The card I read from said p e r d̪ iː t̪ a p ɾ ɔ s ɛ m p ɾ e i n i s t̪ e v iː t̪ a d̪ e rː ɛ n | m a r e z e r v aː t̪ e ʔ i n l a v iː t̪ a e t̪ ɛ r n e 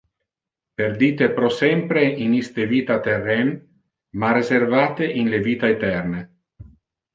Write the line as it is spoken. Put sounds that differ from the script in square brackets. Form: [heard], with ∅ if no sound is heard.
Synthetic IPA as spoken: p e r d̪ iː t̪ [e] p ɾ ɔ s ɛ m p ɾ e i n i s t̪ e v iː t̪ a [t̪] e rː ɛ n | m a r e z e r v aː t̪ e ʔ i n l [e] v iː t̪ a e t̪ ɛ r n e